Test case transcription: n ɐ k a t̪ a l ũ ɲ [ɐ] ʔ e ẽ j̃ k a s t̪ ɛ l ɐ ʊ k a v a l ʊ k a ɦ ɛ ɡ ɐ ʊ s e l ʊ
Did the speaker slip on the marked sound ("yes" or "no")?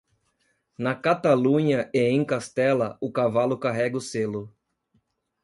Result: no